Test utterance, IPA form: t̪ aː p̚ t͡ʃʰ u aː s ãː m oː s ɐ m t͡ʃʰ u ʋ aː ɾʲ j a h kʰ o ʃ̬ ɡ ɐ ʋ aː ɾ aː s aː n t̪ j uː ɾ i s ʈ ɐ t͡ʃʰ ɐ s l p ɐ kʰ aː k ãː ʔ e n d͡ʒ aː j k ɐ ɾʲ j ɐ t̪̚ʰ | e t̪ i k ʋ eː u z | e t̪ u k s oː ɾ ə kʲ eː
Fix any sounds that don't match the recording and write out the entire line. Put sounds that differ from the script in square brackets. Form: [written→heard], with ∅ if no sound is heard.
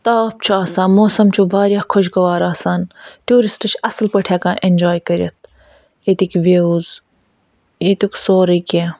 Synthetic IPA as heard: t̪ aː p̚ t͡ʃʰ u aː s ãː m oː s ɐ m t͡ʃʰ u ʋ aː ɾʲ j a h kʰ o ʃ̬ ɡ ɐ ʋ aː ɾ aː s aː n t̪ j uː ɾ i s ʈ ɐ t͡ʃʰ ɐ s l p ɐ [kʰ→ʈʰ] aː k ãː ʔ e n d͡ʒ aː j k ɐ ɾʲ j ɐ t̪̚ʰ | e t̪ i k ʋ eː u z | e t̪ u k s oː ɾ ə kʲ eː

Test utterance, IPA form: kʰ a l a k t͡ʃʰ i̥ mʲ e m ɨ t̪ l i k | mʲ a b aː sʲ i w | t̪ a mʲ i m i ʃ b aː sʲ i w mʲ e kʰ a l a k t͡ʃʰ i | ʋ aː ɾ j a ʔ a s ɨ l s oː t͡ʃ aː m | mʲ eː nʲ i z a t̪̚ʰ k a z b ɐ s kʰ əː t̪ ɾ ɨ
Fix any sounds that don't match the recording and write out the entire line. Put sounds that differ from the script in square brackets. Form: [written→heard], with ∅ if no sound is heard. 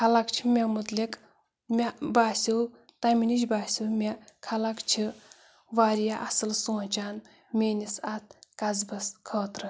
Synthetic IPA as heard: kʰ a l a k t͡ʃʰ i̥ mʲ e m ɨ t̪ l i k | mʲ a b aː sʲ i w | t̪ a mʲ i [m→n] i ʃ b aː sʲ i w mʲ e kʰ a l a k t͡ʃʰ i | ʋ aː ɾ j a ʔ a s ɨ l s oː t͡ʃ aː [m→n] | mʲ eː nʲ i [z→s] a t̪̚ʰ k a z b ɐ s kʰ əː t̪ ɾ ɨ

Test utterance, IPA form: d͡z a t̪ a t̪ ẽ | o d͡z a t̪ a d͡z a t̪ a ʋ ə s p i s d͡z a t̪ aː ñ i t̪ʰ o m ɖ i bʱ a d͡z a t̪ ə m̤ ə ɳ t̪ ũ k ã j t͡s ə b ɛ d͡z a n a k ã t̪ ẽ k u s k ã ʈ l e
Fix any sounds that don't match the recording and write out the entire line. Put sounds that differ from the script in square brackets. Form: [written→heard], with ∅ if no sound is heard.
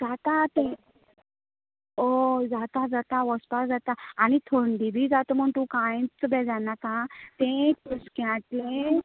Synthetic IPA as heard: d͡z a t̪ a t̪ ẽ | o d͡z a t̪ a d͡z a t̪ a ʋ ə s p [i→a] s d͡z a t̪ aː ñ i t̪ʰ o [m→ɳ] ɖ i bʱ [a→i] d͡z a t̪ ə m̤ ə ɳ t̪ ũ k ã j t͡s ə b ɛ d͡z a n a k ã t̪ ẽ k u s k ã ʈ l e

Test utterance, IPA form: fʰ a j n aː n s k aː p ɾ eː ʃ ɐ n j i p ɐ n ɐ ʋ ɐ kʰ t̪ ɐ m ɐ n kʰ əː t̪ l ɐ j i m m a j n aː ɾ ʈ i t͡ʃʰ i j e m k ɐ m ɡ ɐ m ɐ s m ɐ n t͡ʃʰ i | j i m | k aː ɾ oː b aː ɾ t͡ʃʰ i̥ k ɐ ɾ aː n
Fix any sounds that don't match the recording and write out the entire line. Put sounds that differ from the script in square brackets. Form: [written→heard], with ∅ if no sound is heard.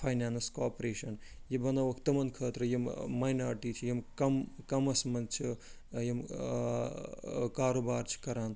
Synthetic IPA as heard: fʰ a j n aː n s k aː p ɾ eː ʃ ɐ n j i [p→b] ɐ n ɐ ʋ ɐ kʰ t̪ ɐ m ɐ n kʰ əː t̪ [l→ɾ] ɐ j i m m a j n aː ɾ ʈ i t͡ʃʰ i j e m k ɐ m [ɡ→k] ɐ m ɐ s m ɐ n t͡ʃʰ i | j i m | k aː ɾ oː b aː ɾ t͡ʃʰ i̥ k ɐ ɾ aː n

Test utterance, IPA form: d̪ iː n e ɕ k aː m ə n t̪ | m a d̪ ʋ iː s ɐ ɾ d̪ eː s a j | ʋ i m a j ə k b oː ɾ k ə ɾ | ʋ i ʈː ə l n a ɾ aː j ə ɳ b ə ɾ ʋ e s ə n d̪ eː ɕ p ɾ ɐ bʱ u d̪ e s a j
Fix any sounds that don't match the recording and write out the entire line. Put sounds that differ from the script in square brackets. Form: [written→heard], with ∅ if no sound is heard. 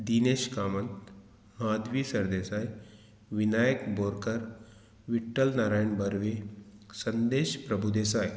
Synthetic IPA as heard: d̪ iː n e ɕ k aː m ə n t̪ | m a d̪ ʋ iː s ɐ ɾ d̪ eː s a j | ʋ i [m→n] a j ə k b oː ɾ k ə ɾ | ʋ i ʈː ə l n a ɾ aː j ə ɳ b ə ɾ ʋ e s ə n d̪ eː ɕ p ɾ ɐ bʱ u d̪ e s a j

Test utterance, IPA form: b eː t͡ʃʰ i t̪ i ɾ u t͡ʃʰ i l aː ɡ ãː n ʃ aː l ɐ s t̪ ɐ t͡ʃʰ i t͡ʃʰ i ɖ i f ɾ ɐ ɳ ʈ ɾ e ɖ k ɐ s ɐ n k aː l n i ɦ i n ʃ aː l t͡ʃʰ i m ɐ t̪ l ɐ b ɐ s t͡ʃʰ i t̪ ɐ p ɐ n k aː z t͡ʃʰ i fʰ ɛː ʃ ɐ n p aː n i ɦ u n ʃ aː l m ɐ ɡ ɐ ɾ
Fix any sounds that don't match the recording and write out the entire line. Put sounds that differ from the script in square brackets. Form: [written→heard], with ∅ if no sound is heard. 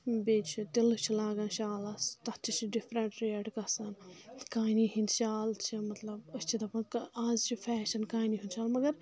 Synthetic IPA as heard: b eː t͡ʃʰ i t̪ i [ɾ→l] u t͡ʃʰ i l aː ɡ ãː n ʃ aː l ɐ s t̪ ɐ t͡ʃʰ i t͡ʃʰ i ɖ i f ɾ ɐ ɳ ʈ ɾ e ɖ k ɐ s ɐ n k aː [l→∅] n i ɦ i n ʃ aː l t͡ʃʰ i m ɐ t̪ l ɐ b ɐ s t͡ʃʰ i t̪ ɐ p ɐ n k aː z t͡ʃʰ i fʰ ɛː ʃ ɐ n [p→k] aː n i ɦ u n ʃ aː l m ɐ ɡ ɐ ɾ

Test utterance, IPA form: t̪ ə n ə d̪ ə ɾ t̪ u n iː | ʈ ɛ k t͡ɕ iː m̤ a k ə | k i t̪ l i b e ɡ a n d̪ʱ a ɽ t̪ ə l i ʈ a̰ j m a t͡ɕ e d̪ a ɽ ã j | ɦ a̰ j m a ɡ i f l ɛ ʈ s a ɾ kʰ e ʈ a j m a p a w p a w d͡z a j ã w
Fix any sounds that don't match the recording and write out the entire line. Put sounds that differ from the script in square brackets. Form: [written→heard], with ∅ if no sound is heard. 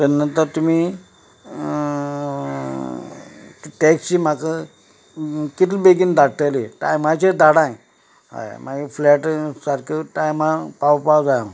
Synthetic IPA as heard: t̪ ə n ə [d̪→t̪] ə ɾ t̪ u [n→m] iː | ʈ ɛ k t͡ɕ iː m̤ a k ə | k i t̪ l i b e ɡ [a→i] n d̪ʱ a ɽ t̪ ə l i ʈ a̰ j m a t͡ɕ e d̪ a ɽ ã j | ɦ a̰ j m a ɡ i f l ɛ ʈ s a ɾ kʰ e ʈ a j m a p a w p a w d͡z a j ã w

